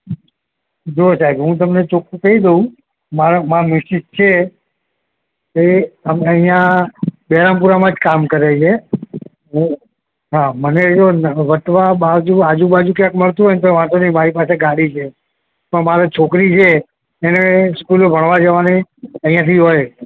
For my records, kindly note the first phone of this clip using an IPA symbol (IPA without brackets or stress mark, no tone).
d͡ʒ